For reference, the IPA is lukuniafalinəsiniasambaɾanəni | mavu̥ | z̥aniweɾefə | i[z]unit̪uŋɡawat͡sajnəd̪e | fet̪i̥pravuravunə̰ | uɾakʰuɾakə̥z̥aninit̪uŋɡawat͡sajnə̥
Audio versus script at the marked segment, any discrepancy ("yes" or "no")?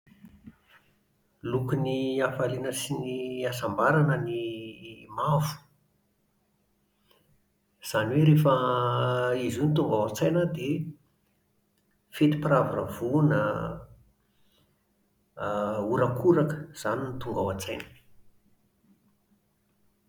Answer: no